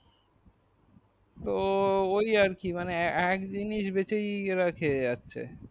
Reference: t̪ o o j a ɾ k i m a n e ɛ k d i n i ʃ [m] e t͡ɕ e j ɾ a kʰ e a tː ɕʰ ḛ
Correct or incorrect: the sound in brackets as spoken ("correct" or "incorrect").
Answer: incorrect